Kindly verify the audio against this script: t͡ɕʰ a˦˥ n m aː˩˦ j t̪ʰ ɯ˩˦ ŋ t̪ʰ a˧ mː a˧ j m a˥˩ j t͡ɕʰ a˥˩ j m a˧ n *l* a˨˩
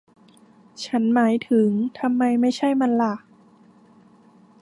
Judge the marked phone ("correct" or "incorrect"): correct